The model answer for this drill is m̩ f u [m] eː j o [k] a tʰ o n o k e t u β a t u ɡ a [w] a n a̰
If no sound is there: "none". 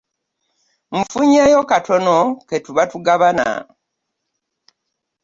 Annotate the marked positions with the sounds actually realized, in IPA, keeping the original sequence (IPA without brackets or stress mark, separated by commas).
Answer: ɲ, k, β